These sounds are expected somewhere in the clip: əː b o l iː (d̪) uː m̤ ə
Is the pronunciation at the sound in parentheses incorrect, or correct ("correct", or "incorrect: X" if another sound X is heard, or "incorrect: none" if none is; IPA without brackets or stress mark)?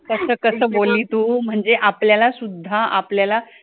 incorrect: t̪